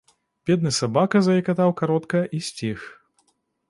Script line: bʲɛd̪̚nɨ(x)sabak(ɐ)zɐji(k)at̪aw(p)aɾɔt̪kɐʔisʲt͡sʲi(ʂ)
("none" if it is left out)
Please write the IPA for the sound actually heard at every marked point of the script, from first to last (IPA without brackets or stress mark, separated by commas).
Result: none, ɐ, k, k, x